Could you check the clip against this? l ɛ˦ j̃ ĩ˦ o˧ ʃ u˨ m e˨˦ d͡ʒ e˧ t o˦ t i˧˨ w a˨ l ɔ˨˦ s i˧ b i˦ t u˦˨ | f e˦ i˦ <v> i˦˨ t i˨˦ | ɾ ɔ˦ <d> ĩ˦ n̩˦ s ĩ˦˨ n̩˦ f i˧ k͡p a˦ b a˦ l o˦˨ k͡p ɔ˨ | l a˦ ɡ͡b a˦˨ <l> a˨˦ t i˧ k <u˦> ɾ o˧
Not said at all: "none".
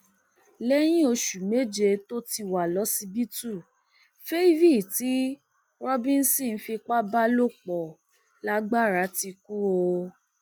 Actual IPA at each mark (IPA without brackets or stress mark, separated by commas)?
v, b, ɾ, u˦